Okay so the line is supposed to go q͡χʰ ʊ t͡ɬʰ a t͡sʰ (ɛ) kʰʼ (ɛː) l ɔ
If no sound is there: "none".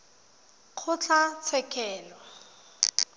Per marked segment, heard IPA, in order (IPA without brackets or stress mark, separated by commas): ɛ, ɛː